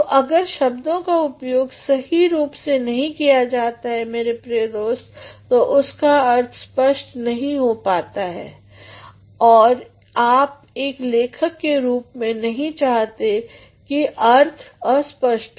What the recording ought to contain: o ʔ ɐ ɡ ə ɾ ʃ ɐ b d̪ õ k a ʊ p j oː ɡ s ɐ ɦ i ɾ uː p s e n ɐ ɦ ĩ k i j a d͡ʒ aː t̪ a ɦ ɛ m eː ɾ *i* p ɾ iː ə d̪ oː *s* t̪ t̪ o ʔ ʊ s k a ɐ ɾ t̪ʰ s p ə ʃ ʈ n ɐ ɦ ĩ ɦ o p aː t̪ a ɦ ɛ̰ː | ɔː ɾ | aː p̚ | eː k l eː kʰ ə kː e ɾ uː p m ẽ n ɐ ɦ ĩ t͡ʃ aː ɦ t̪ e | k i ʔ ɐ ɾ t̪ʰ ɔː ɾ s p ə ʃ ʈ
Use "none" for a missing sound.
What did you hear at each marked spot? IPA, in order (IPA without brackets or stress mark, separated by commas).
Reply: e, s